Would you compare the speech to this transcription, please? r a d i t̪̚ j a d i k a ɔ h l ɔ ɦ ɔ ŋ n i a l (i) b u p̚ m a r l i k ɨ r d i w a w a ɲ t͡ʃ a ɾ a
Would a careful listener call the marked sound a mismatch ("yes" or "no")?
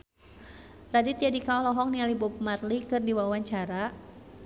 no